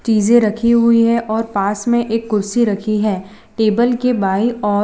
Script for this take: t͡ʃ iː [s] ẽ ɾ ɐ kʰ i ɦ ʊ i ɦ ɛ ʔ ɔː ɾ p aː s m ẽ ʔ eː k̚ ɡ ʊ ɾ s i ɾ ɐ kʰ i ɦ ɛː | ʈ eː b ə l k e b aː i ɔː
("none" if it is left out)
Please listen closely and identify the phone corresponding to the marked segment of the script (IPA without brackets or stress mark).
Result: z